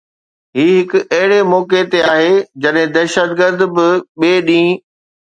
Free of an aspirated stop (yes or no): yes